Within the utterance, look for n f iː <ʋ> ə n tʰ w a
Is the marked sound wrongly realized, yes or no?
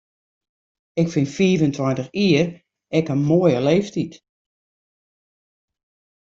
yes